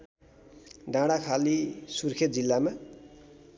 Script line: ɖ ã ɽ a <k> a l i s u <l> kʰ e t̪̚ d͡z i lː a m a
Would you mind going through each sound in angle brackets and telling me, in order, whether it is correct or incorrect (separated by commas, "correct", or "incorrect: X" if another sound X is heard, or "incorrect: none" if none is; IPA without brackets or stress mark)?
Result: incorrect: kʰ, incorrect: r